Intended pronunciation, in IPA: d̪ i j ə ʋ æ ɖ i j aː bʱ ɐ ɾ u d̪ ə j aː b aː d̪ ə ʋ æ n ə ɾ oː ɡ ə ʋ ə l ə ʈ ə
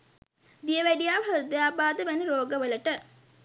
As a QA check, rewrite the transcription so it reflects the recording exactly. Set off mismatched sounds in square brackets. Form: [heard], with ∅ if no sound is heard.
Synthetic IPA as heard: d̪ i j ə ʋ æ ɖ i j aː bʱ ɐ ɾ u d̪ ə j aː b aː d̪ ə ʋ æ n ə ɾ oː ɡ ə ʋ ə l ə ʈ ə